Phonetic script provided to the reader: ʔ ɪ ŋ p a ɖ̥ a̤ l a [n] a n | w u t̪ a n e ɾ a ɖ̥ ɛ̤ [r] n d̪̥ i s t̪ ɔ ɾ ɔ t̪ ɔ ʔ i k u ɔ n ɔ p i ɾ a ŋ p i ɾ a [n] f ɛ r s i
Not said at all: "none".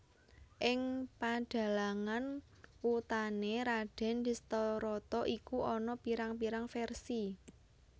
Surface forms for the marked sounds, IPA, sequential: ŋ, none, ŋ

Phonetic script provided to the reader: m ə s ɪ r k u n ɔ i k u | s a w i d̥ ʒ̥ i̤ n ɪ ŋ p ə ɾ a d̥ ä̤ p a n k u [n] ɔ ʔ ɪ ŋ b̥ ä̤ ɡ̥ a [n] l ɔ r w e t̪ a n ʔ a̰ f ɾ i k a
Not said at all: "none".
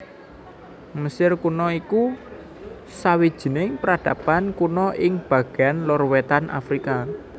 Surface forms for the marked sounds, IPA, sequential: n, n

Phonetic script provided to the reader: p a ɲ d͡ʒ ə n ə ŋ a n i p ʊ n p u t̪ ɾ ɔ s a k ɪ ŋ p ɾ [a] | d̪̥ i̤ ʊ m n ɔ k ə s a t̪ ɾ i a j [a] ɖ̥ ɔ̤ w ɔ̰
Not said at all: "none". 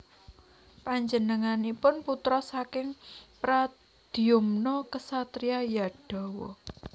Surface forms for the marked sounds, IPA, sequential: a, a

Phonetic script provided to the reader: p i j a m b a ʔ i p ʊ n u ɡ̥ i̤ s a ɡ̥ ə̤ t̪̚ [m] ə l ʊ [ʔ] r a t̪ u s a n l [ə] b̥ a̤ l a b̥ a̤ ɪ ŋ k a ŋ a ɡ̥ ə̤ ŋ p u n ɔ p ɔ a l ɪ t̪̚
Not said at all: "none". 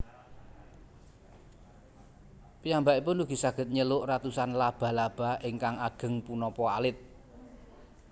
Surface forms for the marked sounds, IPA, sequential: ɲ, ʔ, a

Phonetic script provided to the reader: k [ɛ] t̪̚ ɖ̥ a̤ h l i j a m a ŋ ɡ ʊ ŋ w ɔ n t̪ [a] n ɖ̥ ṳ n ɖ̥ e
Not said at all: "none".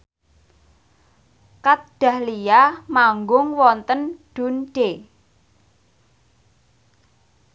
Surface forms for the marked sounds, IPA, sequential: a, ə

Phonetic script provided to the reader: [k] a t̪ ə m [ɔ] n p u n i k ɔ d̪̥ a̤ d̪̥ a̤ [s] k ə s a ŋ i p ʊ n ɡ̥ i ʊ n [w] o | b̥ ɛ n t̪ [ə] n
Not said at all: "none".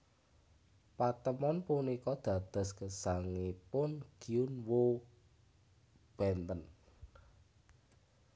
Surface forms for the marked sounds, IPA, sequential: p, ɔ, s, w, ə

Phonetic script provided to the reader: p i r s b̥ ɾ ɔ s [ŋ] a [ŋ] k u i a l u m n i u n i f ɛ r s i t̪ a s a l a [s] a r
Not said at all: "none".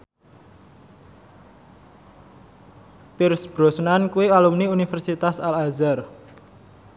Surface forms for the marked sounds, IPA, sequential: n, n, z

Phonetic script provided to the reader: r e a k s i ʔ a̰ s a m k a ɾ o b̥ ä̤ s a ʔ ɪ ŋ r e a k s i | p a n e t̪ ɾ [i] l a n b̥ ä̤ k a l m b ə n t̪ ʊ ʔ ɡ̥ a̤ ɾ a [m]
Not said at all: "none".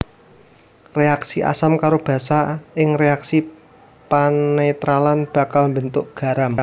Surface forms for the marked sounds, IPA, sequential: a, m

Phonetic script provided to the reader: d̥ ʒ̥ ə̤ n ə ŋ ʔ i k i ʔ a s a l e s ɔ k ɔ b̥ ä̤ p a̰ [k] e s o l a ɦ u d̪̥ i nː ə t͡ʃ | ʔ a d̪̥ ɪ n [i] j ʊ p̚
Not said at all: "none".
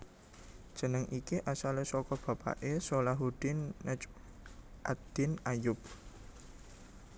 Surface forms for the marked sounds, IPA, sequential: ʔ, a

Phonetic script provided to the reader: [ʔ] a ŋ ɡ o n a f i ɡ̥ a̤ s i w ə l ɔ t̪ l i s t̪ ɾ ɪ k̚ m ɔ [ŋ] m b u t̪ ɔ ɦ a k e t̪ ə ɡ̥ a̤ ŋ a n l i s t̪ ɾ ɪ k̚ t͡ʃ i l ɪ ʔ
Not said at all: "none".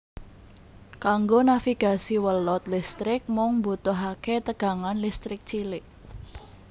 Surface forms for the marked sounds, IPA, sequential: k, ŋ

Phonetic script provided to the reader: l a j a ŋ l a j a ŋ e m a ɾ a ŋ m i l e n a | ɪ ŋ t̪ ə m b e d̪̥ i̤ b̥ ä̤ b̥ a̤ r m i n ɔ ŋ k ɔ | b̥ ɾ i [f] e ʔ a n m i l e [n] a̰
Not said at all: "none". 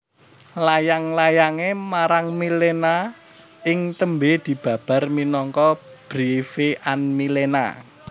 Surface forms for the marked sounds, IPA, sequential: f, n

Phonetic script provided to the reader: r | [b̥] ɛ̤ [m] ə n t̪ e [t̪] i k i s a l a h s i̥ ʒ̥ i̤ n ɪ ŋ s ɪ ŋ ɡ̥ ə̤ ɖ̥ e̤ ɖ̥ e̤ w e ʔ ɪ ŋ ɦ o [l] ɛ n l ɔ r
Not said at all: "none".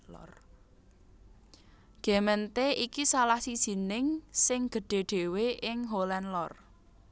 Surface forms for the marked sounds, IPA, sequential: ɡ̥, m, none, l

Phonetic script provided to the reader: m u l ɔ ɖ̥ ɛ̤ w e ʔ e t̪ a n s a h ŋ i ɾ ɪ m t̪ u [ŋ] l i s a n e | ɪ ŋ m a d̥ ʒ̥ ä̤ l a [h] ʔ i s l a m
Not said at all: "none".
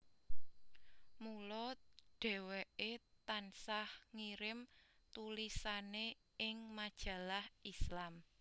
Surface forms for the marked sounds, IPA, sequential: none, h

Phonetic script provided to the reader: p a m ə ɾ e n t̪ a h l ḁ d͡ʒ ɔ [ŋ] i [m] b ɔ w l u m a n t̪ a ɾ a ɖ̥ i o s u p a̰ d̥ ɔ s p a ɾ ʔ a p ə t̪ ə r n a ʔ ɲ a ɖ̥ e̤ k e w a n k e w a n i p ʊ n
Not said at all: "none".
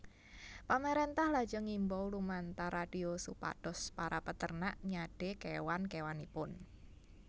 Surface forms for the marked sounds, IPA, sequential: ŋ, m

